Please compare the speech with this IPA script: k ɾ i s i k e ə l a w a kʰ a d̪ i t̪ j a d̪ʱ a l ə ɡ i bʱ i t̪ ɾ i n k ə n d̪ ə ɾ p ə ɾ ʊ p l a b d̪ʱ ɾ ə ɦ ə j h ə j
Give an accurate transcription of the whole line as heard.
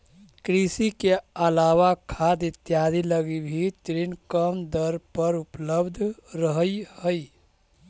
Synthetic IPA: k ɾ i s i k e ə l a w a kʰ a d̪ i t̪ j a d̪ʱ i l ə ɡ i bʱ i t̪ ɾ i n k ə m d̪ ə ɾ p ə ɾ u p l ə b d̪ʱ ɾ ə ɦ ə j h ə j